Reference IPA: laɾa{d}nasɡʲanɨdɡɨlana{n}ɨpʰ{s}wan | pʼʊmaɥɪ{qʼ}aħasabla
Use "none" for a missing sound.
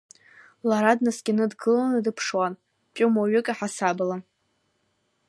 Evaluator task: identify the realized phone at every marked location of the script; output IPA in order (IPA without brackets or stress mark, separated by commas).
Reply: d, d, ʂ, kʼ